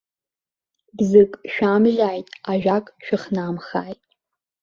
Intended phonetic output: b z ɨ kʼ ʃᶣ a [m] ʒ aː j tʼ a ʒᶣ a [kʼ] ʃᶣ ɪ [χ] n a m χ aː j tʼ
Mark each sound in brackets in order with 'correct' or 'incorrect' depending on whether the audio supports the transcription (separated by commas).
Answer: correct, correct, correct